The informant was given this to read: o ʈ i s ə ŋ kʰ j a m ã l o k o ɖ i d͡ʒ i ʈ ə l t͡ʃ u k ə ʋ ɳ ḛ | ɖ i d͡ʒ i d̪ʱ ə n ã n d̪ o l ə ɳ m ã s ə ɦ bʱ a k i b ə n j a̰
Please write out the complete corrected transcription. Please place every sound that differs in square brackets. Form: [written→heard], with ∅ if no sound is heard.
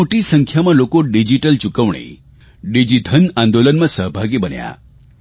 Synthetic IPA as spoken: o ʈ i s ə ŋ kʰ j a m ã l o k o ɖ i d͡ʒ i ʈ ə l t͡ʃ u k ə ʋ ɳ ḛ | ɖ i d͡ʒ i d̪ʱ ə n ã n d̪ o l ə [ɳ→n] m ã s ə ɦ bʱ a [k→ɡ] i b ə n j a̰